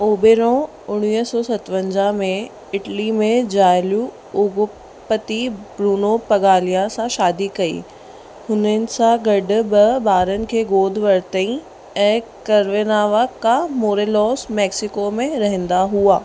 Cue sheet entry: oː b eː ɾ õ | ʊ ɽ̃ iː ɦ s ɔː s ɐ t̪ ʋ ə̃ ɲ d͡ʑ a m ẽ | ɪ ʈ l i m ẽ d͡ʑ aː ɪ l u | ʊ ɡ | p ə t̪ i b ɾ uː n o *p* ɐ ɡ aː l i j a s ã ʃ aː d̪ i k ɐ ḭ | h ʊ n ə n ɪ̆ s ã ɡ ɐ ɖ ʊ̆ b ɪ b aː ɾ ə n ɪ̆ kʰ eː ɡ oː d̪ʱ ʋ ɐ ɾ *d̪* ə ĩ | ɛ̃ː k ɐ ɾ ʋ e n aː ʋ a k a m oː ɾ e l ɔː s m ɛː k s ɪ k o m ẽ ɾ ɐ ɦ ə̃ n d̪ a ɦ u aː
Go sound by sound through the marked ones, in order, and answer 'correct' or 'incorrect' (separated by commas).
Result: correct, incorrect